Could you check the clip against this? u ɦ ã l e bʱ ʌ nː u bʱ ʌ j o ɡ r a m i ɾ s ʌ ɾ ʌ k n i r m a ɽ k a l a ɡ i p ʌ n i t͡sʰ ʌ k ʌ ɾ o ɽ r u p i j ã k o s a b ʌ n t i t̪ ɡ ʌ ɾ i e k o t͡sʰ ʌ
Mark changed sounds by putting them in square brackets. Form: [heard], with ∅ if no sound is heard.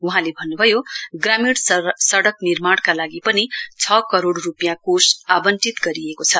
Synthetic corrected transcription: u ɦ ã l e bʱ ʌ nː u bʱ ʌ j o ɡ r a m i [ɽ] s ʌ [ɽ] ʌ k n i r m a ɽ k a l a ɡ i p ʌ n i t͡sʰ ʌ k ʌ ɾ o ɽ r u p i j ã k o s a b ʌ n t i t̪ ɡ ʌ ɾ i e k o t͡sʰ ʌ

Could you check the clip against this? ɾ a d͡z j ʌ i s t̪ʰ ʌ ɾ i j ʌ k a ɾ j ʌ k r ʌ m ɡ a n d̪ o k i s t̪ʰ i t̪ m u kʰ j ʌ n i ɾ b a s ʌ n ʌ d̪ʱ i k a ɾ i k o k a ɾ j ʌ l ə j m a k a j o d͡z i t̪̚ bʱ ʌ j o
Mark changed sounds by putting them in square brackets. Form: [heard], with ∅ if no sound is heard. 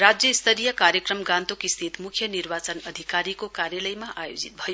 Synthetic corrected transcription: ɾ a d͡z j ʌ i s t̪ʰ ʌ ɾ i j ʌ k a ɾ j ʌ k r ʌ m ɡ a n [t̪] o k i s t̪ʰ i t̪ m u kʰ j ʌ n i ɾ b a [t͡s] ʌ n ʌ d̪ʱ i k a ɾ i k o k a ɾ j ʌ l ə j m a [ʔ] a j o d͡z i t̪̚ bʱ ʌ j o

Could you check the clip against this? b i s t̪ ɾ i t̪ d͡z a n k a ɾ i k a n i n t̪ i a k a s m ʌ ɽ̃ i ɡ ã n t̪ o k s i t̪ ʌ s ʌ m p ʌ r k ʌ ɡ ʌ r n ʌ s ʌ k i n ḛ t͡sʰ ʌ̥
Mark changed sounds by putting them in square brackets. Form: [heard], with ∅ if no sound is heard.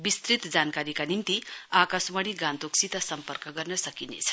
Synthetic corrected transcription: b i s t̪ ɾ i t̪ d͡z a n k a ɾ i k a n i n t̪ i a k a s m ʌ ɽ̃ i ɡ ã n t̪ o k s i t̪ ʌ s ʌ m p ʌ r k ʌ ɡ ʌ r n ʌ s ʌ k i n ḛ t͡sʰ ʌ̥

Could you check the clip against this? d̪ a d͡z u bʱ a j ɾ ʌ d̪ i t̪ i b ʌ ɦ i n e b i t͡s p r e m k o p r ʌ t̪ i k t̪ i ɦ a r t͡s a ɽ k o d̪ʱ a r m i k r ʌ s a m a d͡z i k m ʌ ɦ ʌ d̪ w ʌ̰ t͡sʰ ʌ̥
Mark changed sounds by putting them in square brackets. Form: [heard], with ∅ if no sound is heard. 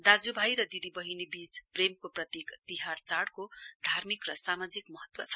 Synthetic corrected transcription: d̪ a d͡z u bʱ a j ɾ ʌ d̪ i [d̪] i b ʌ ɦ i n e b i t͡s p r e m k o p r ʌ t̪ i k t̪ i ɦ a r t͡s a ɽ k o d̪ʱ a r m i k r ʌ s a m a d͡z i k m ʌ ɦ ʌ [t̪] w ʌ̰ t͡sʰ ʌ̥

